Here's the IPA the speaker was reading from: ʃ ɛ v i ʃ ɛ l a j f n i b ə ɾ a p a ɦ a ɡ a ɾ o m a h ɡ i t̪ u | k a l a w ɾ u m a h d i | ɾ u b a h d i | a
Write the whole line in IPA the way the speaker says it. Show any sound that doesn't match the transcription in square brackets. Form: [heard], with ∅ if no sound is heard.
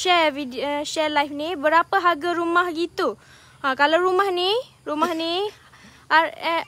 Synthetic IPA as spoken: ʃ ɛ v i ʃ ɛ l a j f n i b ə ɾ a p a ɦ a ɡ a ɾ [u] m a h ɡ i t̪ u | k a l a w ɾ u m a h [n] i | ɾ u [m] a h [n] i | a

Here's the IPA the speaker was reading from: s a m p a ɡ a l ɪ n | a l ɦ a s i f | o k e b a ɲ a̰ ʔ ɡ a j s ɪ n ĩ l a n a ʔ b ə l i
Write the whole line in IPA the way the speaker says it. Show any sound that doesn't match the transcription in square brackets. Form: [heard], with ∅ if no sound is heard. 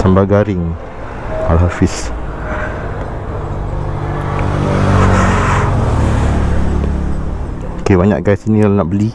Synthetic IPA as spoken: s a m [b] a ɡ a [ɾ] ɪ [ŋ] | a l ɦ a [f] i [s] | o k e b a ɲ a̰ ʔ ɡ a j s [i] n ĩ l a n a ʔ b ə l i

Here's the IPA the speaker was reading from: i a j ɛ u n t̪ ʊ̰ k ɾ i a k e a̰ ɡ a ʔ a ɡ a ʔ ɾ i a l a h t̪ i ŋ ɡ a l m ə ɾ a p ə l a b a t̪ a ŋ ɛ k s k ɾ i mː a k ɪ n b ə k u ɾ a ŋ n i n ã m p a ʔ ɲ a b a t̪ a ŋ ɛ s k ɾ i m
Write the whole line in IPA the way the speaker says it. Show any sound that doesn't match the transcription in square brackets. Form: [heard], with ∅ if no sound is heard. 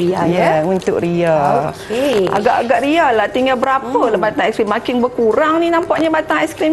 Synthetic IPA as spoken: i a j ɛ u n t̪ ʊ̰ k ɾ i a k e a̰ ɡ a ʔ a ɡ a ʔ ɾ i a l a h t̪ i ŋ ɡ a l [b] ə ɾ a p ə l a b a t̪ a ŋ ɛ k s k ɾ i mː a k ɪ n b ə k u ɾ a ŋ n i n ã m p a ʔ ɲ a b a t̪ a ŋ ɛ s k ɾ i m

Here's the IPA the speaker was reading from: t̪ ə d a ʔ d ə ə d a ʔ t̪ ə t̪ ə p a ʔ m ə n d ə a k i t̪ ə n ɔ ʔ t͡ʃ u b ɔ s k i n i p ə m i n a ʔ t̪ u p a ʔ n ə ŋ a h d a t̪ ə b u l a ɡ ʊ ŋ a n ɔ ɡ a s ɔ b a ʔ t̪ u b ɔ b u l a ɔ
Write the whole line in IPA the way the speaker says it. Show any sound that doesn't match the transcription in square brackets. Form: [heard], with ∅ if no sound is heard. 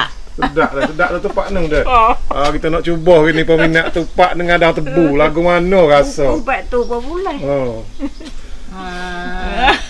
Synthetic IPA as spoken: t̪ ə d a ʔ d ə ə d a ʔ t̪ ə t̪ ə p a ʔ [n] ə [ŋ] d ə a k i t̪ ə n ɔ ʔ t͡ʃ u b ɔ [h] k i n i p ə m i n a ʔ t̪ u p a ʔ n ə ŋ a [∅] d a t̪ ə b u l a ɡ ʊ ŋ a n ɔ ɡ a s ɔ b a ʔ t̪ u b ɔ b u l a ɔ

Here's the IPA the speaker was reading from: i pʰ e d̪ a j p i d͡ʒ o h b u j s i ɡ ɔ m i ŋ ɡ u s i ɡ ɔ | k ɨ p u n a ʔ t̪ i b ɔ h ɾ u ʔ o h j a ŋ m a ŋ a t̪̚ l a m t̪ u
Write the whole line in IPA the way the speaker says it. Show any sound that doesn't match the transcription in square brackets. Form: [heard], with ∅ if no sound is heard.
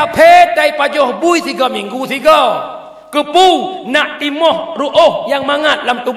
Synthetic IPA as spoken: [a] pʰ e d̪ a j p [a] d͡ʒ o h b u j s i ɡ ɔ m i ŋ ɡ u s i ɡ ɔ | k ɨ p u n a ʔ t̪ i [m] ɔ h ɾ u ʔ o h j a ŋ m a ŋ a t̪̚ l a m t̪ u

